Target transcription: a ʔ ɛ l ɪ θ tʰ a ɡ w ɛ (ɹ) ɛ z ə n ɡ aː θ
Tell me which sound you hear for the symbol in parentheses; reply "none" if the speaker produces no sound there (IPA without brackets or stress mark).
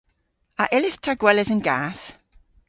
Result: l